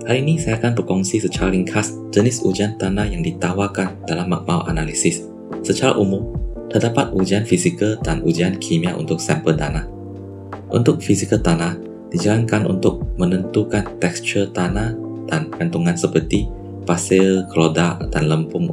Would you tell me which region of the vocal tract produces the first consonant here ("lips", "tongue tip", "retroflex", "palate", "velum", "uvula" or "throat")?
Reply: throat